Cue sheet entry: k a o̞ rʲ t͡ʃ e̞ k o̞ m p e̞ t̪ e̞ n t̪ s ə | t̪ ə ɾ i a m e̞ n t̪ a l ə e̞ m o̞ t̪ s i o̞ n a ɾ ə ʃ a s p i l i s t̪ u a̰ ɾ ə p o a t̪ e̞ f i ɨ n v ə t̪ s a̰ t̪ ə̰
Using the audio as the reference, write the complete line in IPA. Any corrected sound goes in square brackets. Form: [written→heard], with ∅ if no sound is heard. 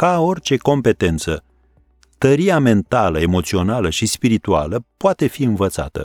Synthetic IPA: k a o̞ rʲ t͡ʃ e̞ k o̞ m p e̞ t̪ e̞ n t̪ s ə | t̪ ə ɾ i a m e̞ n t̪ a l ə e̞ m o̞ t̪ s i o̞ n a [ɾ→l] ə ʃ [a→i] s p i [l→ɾ] i [s→∅] t̪ u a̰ [ɾ→l] ə p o a t̪ e̞ f i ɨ n v ə t̪ s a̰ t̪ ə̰